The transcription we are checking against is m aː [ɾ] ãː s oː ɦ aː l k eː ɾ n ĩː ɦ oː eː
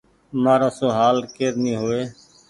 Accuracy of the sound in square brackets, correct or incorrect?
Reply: correct